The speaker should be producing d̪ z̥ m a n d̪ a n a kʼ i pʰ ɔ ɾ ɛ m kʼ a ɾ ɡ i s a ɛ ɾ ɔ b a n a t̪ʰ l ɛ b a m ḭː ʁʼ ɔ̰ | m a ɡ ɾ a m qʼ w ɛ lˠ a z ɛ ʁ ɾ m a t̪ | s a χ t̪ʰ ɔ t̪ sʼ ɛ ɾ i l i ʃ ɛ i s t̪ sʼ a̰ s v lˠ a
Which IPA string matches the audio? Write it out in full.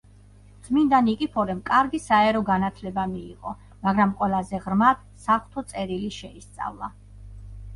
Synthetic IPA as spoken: d̪ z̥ m i n d̪ a n i kʼ i pʰ ɔ ɾ ɛ m kʼ a ɾ ɡ i s a ɛ ɾ ɔ ɡ a n a t̪ʰ l ɛ b a m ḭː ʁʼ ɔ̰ | m a ɡ ɾ a m qʼ w ɛ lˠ a z ɛ ʁ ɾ m a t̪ | s a χ t̪ʰ ɔ t̪ sʼ ɛ ɾ i l i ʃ ɛ i s t̪ sʼ a̰ v lˠ a